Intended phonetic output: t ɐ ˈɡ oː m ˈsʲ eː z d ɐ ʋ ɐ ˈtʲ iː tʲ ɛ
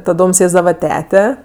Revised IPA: t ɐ ˈd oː m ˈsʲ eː z d ɐ ʋ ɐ ˈtʲ æː tʲ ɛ